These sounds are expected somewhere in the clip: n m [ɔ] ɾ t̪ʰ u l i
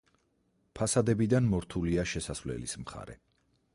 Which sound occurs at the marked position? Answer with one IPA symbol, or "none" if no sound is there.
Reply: ɔ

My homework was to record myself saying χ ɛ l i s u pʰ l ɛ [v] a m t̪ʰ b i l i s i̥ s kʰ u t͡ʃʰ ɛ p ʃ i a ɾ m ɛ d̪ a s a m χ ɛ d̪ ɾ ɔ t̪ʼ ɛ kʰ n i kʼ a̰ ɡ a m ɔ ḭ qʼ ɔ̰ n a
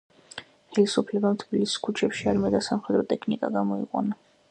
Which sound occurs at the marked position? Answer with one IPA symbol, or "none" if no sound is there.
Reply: b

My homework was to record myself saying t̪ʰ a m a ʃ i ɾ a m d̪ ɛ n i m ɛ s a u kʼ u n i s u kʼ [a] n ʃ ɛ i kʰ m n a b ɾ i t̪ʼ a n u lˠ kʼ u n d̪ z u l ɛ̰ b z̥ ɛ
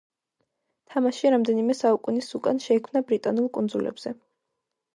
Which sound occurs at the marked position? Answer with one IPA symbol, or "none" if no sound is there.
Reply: a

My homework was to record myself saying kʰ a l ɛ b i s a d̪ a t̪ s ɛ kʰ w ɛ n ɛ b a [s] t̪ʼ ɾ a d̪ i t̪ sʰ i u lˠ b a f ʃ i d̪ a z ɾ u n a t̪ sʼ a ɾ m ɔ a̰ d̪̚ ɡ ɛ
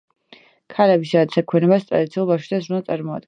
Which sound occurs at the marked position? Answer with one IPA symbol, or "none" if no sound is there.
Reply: s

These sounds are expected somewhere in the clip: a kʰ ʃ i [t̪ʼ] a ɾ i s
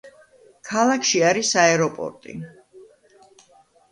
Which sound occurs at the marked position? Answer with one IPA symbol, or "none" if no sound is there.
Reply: none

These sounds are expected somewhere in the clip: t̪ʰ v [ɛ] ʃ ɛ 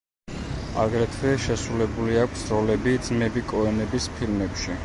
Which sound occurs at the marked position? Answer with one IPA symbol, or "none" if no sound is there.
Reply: ɛ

